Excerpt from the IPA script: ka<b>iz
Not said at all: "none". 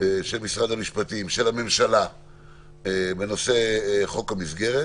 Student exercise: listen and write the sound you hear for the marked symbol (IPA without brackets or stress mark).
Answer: m